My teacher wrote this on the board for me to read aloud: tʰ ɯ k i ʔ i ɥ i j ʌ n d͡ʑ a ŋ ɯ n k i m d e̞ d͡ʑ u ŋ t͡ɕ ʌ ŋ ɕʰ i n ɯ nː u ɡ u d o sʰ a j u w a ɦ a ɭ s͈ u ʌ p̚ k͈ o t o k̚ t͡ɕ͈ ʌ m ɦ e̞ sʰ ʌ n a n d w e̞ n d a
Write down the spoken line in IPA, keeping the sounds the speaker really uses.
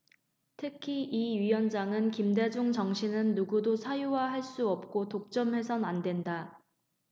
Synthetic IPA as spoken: tʰ ɯ kʰ i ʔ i ɥ i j ʌ n d͡ʑ a ŋ ɯ n k i m d e̞ d͡ʑ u ŋ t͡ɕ ʌ ŋ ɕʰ i n ɯ nː u ɡ u d o sʰ a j u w a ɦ a ɭ s͈ u ʌ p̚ k͈ o t o k̚ t͡ɕ͈ ʌ m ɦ e̞ sʰ ʌ n a n d w e̞ n d a